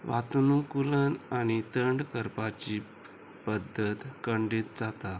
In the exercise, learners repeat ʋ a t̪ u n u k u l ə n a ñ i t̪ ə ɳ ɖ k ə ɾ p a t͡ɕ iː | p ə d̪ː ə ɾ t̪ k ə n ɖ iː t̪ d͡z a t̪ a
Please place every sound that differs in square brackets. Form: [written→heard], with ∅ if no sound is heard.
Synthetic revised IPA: ʋ a t̪ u n u k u l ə n a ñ i t̪ ə ɳ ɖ k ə ɾ p a t͡ɕ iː | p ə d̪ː ə [ɾ→∅] t̪ k ə [n→ɳ] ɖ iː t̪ d͡z a t̪ a